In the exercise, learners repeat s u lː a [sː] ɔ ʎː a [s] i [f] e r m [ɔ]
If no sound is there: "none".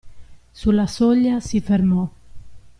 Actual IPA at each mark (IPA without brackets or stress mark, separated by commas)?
s, s, f, ɔ